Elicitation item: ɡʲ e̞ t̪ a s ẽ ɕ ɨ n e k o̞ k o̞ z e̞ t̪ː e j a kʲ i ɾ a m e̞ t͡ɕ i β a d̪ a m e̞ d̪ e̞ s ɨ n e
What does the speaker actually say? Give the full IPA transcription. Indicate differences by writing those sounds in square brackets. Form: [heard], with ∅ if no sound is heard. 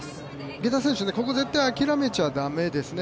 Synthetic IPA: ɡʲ e̞ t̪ a s ẽ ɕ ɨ n e k o̞ k o̞ z e̞ t̪ː [a] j a kʲ i ɾ a m e̞ t͡ɕ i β a d̪ a m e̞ d̪ e̞ s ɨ n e

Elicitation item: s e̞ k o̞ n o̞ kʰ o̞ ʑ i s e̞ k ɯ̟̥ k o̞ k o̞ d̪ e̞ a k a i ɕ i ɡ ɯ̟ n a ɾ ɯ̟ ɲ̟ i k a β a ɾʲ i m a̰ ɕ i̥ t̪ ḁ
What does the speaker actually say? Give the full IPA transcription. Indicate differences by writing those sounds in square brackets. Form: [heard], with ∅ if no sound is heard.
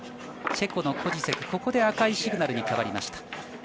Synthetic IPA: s e̞ k o̞ n o̞ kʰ o̞ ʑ i s e̞ k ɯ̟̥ k o̞ k o̞ d̪ e̞ a k a i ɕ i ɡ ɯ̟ n a ɾ ɯ̟ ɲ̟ i k a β a ɾʲ i m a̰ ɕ i̥ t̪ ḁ

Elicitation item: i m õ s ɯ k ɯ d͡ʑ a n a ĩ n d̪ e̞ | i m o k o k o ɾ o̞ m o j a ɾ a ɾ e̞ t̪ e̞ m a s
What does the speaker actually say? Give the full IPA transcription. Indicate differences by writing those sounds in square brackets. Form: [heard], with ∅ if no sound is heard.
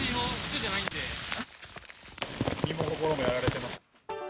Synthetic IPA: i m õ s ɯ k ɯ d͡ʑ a n a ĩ n d̪ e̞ | i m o k o k o ɾ o̞ m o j a ɾ a ɾ e̞ t̪ e̞ m a s

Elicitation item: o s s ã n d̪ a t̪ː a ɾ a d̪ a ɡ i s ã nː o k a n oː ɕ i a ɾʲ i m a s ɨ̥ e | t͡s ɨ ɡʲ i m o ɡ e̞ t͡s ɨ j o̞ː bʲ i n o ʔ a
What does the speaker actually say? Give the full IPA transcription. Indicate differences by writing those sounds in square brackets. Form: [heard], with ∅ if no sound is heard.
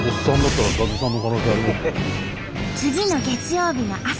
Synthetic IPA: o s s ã n d̪ a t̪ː a ɾ a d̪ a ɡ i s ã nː o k a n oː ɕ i a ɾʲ i m a s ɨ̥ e | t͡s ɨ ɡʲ i [n] o ɡ e̞ t͡s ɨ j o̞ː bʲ i n o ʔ a

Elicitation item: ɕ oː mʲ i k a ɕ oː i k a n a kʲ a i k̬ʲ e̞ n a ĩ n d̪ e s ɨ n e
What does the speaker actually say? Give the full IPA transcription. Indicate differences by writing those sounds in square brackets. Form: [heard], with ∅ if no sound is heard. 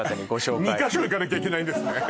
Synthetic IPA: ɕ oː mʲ i k a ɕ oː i k a n a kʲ a i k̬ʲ e̞ n a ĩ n d̪ e s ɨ n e

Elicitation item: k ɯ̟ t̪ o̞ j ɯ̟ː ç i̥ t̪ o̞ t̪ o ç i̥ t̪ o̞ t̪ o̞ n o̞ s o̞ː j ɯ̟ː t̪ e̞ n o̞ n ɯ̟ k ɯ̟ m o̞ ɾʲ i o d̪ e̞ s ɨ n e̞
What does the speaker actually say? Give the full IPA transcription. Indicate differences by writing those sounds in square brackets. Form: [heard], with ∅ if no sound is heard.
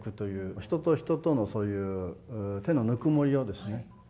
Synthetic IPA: k ɯ̟ t̪ o̞ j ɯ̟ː ç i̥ t̪ o̞ t̪ o ç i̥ t̪ o̞ t̪ o̞ n o̞ s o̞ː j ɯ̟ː t̪ e̞ n o̞ n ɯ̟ k ɯ̟ m o̞ ɾʲ i o d̪ e̞ s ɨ n e̞

